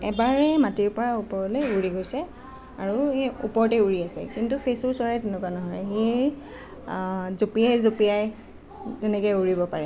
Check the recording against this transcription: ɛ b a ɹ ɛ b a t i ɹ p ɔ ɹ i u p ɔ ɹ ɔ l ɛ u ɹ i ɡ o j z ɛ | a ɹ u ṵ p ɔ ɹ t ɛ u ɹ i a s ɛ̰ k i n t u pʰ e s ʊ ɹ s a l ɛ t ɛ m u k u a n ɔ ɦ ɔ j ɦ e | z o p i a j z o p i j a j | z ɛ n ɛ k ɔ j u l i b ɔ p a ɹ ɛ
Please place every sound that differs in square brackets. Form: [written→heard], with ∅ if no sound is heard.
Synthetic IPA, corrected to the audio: ɛ b a ɹ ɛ [b→m] a t i ɹ p ɔ ɹ [i→a] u p ɔ ɹ ɔ l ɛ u ɹ i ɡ o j [z→s] ɛ | a ɹ u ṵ p ɔ ɹ t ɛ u ɹ i a s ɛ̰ k i n t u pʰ e s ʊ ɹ s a [l→ɹ] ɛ t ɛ [m→n] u k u a n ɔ ɦ ɔ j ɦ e | z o p i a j z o p i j a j | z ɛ n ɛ k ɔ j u [l→ɹ] i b ɔ p a ɹ ɛ